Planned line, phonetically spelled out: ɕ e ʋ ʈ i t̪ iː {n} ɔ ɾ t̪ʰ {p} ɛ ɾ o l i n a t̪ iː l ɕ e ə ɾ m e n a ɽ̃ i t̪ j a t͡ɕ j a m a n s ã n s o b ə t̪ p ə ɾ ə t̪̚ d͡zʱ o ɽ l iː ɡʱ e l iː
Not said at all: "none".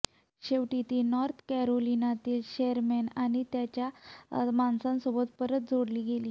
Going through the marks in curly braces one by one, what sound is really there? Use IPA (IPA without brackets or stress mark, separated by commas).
n, k